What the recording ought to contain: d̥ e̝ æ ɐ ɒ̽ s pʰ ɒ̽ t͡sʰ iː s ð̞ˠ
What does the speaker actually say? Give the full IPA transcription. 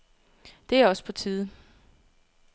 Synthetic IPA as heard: d̥ e̝ æ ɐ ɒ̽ s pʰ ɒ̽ t͡sʰ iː ð̞ˠ